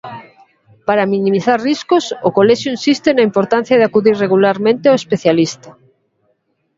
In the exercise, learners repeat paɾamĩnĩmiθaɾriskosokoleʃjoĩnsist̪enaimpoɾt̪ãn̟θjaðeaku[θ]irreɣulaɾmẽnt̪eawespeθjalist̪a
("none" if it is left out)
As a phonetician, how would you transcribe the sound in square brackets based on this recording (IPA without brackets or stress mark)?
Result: ð